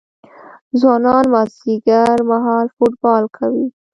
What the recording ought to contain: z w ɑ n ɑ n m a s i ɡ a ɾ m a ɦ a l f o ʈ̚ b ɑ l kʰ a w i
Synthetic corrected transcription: z w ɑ n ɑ n m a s i ɡ a ɾ m a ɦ ɑ l f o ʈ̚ b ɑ l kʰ a w i